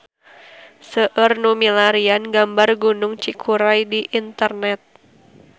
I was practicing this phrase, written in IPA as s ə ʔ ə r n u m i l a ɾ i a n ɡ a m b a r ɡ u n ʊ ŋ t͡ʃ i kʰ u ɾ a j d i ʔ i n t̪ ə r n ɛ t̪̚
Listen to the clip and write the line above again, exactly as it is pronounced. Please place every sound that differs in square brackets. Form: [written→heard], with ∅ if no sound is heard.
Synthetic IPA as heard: s ə ʔ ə r n u m i l a ɾ i a n ɡ a m b a r ɡ u n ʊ ŋ t͡ʃ i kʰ u ɾ a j d i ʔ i n t̪ ə r n ɛ t̪̚